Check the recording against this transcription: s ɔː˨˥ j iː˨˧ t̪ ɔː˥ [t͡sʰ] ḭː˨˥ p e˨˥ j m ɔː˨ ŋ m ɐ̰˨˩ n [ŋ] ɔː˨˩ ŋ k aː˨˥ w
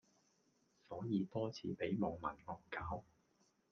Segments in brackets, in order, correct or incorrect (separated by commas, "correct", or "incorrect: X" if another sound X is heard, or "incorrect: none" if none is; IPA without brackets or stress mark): correct, correct